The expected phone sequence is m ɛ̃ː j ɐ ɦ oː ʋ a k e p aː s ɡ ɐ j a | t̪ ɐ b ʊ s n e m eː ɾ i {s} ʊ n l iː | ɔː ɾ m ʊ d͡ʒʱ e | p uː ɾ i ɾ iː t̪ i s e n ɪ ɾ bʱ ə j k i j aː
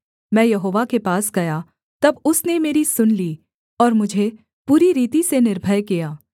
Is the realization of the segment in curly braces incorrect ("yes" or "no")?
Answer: no